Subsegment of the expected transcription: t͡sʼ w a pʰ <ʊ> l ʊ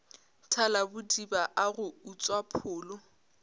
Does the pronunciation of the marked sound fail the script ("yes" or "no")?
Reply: yes